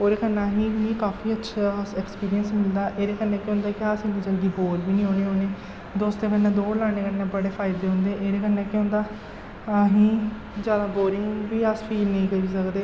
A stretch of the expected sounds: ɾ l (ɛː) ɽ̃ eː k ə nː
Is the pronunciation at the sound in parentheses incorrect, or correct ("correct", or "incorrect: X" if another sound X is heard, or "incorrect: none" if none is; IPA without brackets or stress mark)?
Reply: incorrect: aː